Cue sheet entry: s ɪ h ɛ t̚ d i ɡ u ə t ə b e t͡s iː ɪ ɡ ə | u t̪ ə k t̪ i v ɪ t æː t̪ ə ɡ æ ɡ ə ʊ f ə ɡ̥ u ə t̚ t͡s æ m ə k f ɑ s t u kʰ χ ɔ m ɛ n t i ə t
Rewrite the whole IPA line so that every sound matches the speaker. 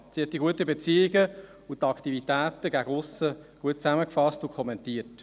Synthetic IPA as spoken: s i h ɛ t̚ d i ɡ u ə t ə b e t͡s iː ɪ ɡ ə | u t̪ ɑ k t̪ i v i t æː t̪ ə ɡ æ ɡ ə ʊ s ə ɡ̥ u ə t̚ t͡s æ m ə k f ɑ s t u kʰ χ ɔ m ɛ n t i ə t